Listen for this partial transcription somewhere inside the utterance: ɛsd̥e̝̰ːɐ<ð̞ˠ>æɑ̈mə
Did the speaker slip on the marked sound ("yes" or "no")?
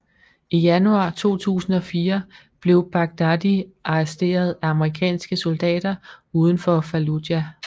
no